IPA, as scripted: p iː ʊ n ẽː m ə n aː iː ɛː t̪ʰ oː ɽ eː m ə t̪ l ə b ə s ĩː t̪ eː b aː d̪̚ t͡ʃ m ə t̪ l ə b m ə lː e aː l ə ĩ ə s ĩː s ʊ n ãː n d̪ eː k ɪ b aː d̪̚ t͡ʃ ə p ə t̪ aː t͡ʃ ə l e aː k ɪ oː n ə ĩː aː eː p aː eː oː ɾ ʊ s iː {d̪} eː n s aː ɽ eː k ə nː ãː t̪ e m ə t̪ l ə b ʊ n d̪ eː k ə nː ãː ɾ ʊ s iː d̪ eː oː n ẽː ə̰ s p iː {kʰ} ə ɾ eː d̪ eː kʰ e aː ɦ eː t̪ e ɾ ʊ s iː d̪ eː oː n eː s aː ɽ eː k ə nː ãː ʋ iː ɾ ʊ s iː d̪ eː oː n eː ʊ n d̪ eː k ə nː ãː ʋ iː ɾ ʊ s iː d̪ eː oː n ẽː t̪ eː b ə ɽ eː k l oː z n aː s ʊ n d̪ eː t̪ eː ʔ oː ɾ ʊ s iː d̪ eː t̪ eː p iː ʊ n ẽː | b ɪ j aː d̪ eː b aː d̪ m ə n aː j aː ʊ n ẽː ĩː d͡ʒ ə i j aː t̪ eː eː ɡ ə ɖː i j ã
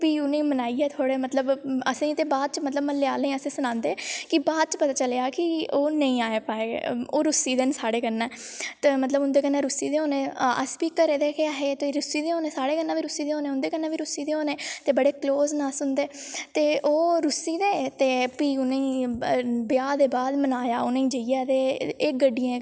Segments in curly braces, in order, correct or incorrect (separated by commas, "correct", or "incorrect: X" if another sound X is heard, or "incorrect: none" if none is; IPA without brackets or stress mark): correct, incorrect: k